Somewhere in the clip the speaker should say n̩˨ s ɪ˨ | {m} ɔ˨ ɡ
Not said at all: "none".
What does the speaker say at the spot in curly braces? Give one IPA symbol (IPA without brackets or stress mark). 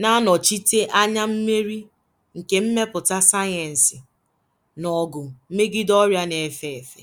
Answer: n